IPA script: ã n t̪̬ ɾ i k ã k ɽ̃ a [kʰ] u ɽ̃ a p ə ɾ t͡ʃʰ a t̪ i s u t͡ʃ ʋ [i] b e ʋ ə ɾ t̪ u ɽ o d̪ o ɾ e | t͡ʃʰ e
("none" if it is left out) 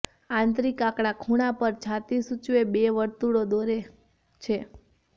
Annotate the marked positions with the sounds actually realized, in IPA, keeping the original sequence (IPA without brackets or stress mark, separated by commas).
kʰ, e